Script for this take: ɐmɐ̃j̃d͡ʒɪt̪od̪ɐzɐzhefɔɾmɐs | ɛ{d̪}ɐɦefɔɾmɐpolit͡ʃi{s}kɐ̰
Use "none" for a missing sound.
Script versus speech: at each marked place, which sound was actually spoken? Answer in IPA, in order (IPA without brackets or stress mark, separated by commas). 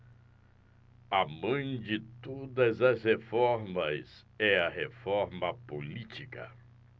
none, none